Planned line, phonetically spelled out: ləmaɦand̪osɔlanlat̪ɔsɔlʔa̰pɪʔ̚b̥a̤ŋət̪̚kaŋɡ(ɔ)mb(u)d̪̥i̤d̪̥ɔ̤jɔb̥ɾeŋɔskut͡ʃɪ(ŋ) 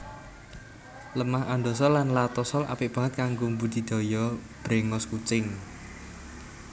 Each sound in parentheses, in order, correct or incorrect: incorrect, correct, correct

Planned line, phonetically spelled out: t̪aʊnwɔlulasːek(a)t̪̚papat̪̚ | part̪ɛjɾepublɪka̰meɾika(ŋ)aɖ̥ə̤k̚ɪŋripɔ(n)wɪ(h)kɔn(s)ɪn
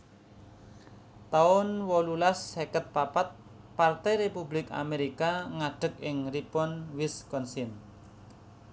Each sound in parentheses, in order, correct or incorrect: incorrect, correct, correct, incorrect, correct

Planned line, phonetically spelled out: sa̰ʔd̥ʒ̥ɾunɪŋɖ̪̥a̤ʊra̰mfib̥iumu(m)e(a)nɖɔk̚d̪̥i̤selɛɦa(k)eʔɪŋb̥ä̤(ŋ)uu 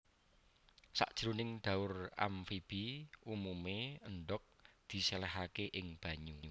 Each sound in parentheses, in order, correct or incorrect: correct, incorrect, correct, incorrect

